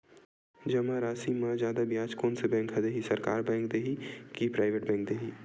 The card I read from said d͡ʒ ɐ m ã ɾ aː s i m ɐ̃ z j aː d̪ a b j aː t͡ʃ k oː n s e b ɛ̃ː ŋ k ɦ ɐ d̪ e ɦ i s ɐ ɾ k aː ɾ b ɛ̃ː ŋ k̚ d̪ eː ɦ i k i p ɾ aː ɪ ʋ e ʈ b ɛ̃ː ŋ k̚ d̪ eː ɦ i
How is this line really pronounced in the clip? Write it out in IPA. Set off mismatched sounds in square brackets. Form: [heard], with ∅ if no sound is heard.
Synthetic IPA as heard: d͡ʒ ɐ m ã ɾ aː s i m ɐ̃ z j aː d̪ a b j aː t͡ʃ k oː n s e b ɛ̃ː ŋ k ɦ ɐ d̪ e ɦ i s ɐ ɾ k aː ɾ b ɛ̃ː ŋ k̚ d̪ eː ɦ i k i p ɾ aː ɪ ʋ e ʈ b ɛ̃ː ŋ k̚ d̪ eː ɦ i